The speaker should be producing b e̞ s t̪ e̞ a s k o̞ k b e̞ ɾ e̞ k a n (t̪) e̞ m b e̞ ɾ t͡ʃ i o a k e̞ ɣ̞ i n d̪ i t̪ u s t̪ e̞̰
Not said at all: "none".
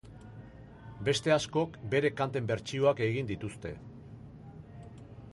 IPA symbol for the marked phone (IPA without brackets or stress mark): t̪